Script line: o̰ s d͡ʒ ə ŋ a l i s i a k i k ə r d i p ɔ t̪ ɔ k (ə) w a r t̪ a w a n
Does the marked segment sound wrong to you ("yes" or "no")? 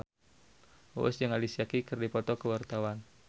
no